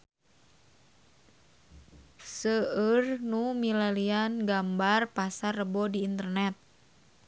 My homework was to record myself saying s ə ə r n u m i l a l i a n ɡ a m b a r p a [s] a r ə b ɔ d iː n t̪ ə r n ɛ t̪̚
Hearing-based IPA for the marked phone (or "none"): s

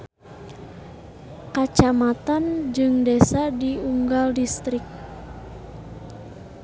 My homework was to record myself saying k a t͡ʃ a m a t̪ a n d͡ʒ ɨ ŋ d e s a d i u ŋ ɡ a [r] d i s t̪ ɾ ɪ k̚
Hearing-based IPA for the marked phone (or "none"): l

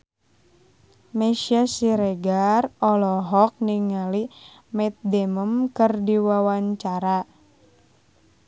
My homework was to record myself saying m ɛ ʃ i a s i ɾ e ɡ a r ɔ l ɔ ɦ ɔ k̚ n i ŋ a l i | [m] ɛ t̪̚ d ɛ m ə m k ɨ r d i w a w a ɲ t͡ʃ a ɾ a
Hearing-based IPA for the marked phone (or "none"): m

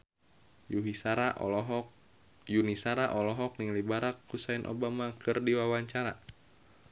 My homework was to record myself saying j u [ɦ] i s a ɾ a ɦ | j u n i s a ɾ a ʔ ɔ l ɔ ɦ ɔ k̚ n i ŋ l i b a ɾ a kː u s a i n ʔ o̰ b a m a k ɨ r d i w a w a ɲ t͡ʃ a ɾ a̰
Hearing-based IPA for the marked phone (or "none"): ɦ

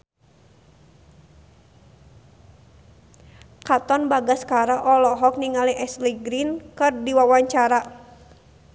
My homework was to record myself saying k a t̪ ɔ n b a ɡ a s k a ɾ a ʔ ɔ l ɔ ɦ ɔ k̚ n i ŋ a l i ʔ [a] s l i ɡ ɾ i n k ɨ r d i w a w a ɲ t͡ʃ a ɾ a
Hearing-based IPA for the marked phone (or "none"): ɛ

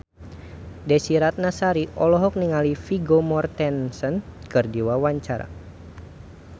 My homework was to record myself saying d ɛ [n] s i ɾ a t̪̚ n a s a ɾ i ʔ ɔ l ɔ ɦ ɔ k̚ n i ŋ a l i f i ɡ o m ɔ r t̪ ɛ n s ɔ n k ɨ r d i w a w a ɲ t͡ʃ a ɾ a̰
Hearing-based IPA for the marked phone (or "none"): none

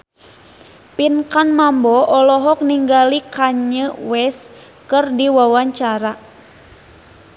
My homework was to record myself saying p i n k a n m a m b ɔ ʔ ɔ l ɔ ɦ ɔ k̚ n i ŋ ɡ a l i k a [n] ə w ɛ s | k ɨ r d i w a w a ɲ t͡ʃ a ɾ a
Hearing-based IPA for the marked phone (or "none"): ɲ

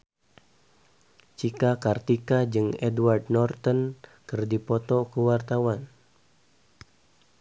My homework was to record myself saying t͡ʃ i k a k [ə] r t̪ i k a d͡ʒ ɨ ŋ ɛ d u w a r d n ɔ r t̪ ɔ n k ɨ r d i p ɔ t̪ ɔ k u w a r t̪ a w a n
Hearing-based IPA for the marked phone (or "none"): a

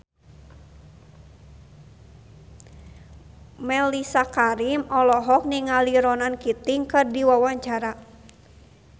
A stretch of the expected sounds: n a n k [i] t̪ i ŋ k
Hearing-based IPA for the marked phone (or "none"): i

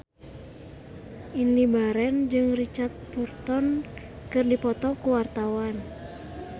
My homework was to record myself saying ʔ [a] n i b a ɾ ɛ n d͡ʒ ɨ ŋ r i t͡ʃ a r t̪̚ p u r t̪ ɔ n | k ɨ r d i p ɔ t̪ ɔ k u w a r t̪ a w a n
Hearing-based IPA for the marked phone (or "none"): i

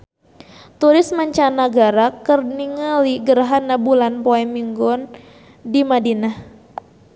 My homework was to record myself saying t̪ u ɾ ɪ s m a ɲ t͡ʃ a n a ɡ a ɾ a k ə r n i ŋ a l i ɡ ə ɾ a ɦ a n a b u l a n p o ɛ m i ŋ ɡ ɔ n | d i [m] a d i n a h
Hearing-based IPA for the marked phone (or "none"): m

